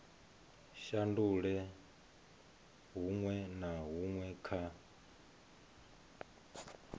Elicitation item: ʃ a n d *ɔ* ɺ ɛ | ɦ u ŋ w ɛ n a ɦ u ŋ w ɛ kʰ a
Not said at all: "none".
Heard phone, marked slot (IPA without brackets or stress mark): u